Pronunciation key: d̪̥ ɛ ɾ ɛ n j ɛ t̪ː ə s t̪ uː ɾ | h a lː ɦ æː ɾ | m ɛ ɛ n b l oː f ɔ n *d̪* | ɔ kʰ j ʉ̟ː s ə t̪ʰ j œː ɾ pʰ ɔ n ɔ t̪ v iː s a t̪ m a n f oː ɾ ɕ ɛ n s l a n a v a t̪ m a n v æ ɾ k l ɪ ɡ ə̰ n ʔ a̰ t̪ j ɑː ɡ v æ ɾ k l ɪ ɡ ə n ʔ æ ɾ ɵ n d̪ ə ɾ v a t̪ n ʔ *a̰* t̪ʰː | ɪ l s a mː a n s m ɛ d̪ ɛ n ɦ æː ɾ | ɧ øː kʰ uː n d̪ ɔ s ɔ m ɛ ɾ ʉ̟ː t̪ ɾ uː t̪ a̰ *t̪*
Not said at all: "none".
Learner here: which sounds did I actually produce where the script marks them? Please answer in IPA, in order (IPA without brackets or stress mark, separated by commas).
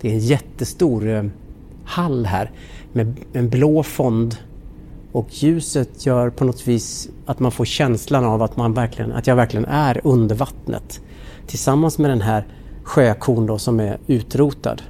d̪, ə̰, d̪